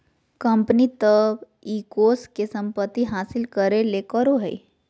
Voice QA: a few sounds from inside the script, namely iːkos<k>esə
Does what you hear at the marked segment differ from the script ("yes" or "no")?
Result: no